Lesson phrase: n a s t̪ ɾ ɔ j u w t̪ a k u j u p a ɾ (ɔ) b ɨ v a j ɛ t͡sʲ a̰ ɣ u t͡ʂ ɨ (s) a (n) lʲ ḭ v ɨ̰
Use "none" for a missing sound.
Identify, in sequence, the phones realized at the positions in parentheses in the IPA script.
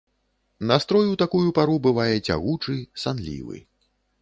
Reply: u, s, n

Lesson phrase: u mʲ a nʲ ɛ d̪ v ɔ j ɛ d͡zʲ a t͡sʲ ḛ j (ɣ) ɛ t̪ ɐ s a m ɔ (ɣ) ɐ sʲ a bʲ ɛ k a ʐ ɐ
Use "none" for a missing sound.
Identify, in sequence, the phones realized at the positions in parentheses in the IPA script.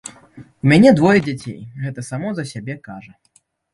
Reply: ɣ, z

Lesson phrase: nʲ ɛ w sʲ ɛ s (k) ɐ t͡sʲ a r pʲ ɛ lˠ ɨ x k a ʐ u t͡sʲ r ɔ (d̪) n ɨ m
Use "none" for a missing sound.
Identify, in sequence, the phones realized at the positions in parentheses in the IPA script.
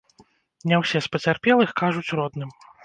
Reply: p, d̪

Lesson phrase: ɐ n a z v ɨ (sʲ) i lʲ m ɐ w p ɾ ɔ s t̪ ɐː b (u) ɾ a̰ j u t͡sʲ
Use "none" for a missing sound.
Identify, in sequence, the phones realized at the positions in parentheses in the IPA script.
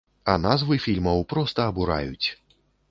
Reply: fʲ, u

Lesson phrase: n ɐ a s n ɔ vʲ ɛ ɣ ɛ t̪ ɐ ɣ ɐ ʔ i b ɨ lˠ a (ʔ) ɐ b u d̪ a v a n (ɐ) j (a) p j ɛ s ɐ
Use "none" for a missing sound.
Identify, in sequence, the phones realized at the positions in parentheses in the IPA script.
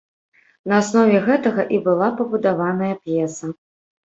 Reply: p, ɐ, ɐ

